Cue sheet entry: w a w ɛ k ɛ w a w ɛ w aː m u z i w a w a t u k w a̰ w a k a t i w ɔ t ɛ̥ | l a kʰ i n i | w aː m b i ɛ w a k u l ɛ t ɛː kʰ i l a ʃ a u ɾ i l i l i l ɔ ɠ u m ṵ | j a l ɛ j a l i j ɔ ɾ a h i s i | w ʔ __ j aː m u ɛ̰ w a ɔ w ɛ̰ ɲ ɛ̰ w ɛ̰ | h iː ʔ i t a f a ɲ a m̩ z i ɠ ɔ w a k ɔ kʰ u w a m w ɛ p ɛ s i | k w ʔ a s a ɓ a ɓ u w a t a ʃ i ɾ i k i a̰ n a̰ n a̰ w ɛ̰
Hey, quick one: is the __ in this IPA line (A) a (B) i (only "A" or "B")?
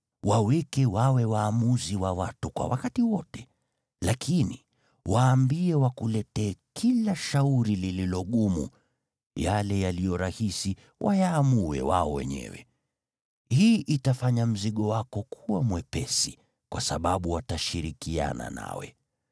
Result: A